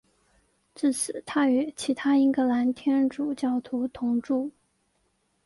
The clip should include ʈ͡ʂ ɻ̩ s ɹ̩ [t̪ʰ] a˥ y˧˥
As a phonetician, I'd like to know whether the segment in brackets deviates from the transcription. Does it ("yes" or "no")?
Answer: no